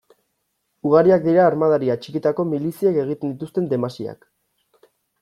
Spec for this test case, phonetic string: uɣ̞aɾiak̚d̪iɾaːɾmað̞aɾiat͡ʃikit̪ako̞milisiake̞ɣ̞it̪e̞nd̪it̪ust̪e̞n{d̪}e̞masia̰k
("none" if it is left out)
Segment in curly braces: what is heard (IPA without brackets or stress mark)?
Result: d̪